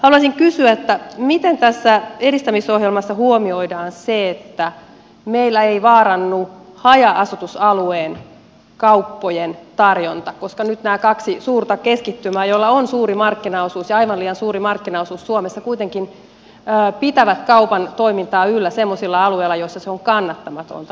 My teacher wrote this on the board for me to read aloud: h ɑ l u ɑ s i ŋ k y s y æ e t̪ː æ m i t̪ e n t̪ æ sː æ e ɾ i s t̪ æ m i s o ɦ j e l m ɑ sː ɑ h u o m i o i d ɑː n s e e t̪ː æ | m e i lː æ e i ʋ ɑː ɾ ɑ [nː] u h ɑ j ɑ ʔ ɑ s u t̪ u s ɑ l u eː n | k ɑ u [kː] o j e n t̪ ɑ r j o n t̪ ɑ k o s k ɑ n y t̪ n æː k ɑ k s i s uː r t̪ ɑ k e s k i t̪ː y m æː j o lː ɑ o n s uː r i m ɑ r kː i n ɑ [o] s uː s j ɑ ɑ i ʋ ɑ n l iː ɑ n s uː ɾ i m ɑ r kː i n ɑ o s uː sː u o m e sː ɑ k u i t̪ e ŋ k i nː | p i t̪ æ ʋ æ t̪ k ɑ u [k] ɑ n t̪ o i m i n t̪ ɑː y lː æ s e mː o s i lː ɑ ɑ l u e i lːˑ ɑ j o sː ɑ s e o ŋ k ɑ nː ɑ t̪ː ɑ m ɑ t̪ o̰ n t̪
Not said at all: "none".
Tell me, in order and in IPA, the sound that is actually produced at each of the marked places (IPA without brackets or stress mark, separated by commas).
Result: nː, pː, o, p